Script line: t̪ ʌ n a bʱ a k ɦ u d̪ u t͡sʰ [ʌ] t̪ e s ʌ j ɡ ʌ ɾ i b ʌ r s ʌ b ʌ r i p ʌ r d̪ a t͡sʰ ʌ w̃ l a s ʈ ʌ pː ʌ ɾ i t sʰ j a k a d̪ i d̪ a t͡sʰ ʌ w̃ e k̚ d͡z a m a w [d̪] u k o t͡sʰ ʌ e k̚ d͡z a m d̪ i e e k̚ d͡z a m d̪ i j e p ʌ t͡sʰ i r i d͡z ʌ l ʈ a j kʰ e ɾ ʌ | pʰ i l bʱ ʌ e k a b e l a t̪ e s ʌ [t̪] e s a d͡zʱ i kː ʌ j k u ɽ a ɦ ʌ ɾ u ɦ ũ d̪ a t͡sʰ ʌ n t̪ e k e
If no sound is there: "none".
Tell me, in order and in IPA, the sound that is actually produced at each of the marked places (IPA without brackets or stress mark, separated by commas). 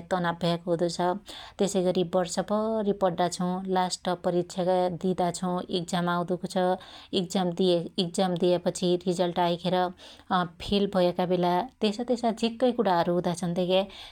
ʌ, d̪, t̪